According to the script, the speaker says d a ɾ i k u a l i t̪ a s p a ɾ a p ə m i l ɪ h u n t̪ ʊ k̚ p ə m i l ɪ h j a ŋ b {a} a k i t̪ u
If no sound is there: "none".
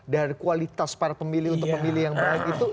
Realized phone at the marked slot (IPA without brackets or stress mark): a